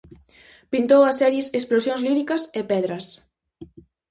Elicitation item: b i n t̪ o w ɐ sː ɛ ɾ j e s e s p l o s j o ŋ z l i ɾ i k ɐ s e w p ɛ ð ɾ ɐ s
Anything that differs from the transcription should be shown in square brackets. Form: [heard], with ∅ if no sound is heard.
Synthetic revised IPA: [p] i n t̪ o w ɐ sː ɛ ɾ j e s e s p l o s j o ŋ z l i ɾ i k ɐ s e [∅] p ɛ ð ɾ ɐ s